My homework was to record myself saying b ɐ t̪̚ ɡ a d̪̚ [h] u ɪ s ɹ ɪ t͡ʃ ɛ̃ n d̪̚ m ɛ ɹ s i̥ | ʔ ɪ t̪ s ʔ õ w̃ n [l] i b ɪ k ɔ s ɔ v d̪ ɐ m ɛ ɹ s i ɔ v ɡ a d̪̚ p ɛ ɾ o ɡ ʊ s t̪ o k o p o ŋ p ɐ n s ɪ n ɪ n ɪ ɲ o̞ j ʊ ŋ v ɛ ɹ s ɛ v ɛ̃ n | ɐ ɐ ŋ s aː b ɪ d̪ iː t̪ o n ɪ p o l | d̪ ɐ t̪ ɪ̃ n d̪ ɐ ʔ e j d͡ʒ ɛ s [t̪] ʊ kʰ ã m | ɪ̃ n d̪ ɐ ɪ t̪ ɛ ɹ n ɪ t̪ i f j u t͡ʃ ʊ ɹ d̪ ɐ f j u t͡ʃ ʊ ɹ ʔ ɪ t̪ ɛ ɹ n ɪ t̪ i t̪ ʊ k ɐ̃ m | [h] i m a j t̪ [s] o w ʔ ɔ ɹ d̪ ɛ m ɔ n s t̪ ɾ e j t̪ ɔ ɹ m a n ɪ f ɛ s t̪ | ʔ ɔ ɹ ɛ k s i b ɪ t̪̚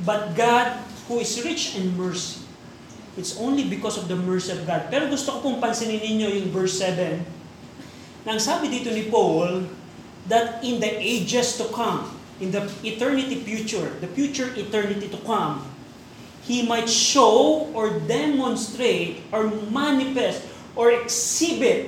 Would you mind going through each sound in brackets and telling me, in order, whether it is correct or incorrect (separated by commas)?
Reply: correct, correct, correct, correct, incorrect